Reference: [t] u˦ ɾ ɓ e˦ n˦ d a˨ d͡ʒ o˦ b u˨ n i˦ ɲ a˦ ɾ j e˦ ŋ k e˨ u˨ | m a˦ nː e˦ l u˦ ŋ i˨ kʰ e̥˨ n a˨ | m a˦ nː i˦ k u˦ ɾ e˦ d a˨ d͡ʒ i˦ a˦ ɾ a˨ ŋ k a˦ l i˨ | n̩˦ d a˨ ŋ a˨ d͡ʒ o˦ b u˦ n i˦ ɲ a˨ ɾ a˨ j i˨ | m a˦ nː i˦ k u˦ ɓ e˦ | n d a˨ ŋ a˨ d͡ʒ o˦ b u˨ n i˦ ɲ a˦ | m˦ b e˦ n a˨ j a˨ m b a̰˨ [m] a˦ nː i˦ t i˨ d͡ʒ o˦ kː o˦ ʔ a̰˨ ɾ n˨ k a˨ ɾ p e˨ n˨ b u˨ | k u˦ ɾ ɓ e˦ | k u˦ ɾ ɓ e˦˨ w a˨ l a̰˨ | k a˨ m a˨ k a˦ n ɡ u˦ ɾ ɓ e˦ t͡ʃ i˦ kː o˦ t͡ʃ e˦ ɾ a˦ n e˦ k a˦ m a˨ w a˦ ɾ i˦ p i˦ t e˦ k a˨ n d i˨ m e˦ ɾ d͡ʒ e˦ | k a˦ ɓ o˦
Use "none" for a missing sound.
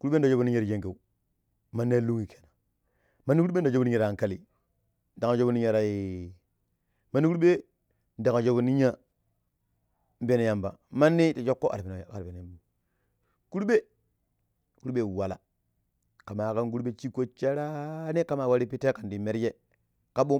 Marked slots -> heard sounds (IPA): k, m

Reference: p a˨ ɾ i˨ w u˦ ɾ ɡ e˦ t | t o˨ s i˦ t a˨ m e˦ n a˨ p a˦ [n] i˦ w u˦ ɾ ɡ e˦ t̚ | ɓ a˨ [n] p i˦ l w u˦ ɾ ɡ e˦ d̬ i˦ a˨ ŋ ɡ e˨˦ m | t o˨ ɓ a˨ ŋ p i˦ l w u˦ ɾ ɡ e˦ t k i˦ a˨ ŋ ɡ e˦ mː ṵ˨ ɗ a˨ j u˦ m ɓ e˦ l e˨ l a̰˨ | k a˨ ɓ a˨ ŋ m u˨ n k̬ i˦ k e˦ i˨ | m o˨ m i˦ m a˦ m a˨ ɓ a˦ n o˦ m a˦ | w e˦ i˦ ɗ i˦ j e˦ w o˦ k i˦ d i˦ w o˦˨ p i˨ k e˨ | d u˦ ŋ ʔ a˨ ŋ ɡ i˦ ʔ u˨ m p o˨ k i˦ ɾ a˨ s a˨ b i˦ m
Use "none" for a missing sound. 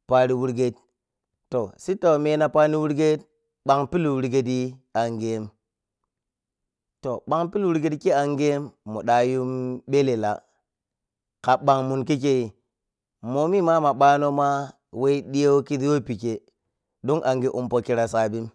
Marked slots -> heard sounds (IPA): n, ŋ

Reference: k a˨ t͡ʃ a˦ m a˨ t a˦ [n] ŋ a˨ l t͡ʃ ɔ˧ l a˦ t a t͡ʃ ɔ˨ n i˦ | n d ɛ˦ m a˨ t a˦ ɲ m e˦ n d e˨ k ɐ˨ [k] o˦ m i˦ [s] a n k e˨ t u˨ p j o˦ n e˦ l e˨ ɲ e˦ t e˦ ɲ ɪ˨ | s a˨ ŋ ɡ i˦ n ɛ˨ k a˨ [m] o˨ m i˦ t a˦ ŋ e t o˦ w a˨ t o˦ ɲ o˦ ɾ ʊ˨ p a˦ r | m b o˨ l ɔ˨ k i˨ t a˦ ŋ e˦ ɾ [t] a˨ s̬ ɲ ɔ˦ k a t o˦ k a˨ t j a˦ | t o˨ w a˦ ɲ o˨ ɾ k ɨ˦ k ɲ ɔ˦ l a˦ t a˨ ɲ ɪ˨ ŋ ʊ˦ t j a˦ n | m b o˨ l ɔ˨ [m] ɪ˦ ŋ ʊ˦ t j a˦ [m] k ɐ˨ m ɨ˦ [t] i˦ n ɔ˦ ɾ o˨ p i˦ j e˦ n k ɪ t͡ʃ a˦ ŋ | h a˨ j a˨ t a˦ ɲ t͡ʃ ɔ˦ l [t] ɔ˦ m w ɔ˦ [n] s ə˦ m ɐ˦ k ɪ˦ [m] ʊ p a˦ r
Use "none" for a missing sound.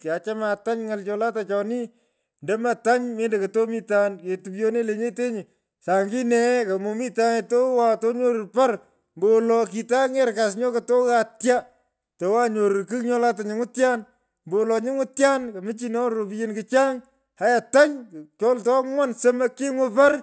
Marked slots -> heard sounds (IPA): ɲ, t, t, m, k, ɲ, n, t͡ʃ, t, n, ŋ

